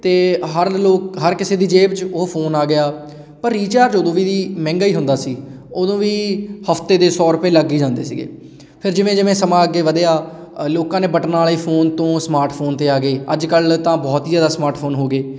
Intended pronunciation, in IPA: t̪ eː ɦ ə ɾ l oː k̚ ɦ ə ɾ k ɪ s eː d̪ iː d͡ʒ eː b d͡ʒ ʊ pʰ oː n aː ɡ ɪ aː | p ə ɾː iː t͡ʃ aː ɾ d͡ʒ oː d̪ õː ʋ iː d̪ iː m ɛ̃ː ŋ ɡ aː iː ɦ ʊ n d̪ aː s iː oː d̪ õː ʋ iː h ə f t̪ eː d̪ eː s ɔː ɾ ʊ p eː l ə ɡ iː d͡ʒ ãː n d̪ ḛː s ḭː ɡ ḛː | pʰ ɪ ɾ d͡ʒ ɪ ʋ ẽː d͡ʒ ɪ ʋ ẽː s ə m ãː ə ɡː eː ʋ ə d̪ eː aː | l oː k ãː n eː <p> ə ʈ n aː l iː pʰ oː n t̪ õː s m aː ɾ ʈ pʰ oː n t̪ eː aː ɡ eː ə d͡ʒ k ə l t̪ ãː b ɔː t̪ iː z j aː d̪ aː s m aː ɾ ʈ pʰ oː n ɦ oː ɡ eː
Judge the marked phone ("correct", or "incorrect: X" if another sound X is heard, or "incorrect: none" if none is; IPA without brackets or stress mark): incorrect: b